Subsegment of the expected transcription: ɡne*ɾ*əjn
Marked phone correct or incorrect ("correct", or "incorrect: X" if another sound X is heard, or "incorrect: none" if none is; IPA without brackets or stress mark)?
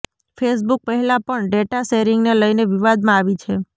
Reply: incorrect: l